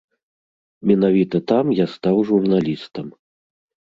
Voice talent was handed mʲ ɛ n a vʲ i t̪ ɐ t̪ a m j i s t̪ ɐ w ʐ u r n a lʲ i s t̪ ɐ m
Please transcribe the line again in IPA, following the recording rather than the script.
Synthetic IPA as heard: mʲ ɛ n a vʲ i t̪ ɐ t̪ a m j a s t̪ a w ʐ u r n a lʲ i s t̪ ɐ m